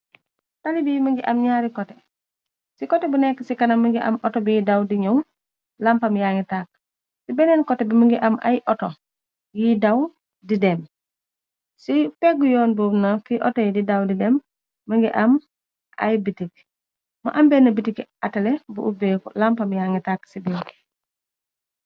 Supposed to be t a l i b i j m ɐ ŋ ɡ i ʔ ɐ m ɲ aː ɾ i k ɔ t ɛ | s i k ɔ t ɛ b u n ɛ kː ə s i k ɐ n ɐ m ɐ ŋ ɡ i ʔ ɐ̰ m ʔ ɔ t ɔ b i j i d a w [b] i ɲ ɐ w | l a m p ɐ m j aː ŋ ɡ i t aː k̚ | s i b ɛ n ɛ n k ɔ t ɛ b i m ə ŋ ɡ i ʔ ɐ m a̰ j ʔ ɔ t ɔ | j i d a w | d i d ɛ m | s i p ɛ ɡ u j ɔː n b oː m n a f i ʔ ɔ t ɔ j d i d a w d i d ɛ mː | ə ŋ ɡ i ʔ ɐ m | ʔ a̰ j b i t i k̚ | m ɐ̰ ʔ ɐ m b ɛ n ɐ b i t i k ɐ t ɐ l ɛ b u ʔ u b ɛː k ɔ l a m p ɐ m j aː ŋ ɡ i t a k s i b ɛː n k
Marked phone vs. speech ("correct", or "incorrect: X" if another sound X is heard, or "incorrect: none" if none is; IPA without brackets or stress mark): incorrect: d